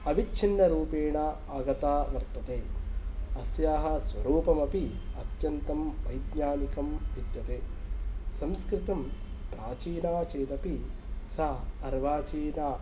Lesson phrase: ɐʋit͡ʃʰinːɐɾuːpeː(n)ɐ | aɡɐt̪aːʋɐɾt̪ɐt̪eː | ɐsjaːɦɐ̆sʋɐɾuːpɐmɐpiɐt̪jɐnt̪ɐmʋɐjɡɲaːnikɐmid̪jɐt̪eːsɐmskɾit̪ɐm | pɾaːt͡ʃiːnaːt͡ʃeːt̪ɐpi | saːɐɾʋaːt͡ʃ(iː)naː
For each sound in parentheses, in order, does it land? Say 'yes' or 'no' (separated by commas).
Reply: no, yes